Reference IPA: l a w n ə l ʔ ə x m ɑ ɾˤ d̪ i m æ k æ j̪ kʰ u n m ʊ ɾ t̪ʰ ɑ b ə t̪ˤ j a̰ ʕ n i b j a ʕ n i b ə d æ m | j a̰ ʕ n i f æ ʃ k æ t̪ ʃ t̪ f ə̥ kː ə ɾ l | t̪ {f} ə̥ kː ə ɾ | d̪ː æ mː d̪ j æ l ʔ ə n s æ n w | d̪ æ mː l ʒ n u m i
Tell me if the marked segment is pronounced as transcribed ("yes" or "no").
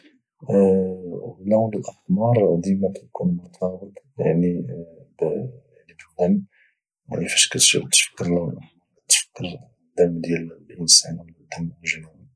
yes